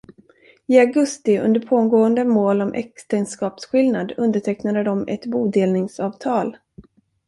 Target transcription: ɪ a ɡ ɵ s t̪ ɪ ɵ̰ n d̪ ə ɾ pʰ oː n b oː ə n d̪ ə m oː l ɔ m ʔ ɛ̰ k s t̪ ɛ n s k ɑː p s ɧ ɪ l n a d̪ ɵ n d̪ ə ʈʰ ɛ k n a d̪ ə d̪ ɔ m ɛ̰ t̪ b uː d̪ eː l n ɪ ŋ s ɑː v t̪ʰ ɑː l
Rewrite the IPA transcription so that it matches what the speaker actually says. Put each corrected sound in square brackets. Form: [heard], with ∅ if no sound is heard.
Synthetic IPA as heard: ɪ a ɡ ɵ s t̪ ɪ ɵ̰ n d̪ ə ɾ pʰ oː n [ɡ] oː ə n d̪ ə m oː l ɔ m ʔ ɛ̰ k s t̪ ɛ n s k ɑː p s ɧ ɪ l n a d̪ ɵ n d̪ ə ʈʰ ɛ k n a d̪ ə d̪ ɔ m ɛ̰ t̪ b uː d̪ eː l n ɪ ŋ s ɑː v t̪ʰ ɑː l